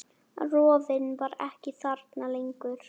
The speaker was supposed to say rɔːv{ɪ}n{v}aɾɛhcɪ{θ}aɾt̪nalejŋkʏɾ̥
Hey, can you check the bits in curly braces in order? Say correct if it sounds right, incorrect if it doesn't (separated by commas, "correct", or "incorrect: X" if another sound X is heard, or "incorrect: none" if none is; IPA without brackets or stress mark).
correct, correct, correct